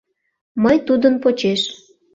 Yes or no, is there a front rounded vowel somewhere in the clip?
no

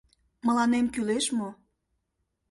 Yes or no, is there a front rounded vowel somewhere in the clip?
yes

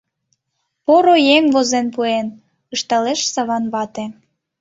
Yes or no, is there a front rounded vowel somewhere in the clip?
no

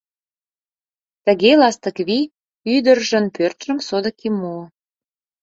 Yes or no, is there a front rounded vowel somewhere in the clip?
yes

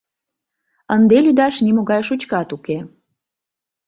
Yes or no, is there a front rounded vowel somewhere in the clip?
yes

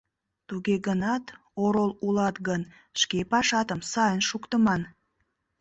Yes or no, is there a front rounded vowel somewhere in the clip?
no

